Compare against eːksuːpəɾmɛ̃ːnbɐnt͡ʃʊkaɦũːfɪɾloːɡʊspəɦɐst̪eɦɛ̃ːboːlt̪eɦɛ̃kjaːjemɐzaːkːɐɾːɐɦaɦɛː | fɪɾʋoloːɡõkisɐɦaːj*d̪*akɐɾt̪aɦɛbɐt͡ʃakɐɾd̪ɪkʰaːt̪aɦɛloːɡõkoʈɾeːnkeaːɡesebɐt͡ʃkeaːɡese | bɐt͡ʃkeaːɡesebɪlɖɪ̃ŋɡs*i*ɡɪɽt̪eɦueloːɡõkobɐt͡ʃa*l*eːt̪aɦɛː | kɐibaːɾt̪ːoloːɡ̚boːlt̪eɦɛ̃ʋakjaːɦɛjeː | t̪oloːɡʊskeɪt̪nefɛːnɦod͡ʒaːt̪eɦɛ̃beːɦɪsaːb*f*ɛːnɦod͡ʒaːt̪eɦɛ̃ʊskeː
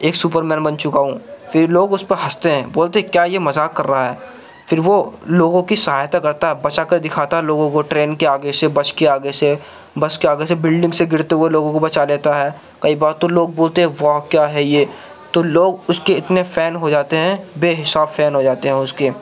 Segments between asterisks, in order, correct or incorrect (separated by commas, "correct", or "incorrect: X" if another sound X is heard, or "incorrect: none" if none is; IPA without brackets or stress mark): incorrect: t̪, incorrect: e, correct, correct